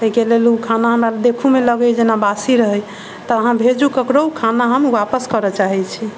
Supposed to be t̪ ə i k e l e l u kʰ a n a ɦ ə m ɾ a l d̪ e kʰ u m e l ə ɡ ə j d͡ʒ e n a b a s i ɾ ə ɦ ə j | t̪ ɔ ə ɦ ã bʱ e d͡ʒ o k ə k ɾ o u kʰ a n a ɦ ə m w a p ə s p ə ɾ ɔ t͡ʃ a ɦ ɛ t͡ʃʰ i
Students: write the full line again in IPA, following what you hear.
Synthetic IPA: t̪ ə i k e l e l u kʰ a n a ɦ ə m ɾ a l d̪ e kʰ u m e l ə ɡ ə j d͡ʒ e n a b a s i ɾ ə ɦ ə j | t̪ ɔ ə ɦ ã bʱ e d͡ʒ u k ə k ɾ o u kʰ a n a ɦ ə m w a p ə s k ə ɾ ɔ t͡ʃ a ɦ ɛ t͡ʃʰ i